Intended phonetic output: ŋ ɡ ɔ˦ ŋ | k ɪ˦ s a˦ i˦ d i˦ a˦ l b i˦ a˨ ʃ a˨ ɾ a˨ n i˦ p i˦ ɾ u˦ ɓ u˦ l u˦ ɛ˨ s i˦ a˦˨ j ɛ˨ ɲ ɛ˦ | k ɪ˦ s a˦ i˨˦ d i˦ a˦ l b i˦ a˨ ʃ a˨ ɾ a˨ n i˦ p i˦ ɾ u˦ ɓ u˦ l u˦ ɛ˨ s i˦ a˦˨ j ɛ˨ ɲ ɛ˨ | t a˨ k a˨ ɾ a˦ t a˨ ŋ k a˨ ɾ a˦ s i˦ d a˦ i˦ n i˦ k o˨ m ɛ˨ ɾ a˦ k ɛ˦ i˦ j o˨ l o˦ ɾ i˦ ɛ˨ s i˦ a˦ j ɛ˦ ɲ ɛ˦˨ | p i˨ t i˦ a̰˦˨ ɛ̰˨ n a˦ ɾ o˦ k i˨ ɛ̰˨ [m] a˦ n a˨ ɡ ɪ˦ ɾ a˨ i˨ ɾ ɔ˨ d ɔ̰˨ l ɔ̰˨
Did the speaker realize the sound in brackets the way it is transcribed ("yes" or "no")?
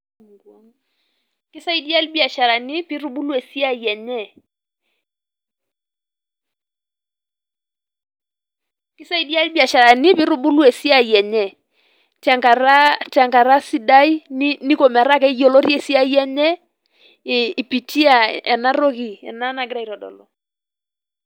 no